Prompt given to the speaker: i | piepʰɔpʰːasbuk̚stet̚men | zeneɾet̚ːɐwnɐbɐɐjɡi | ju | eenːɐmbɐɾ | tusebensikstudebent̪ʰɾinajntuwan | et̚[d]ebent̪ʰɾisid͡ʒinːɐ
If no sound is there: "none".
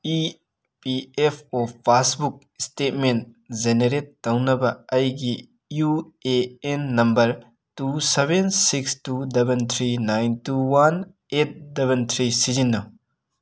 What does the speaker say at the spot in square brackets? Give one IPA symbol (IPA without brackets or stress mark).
d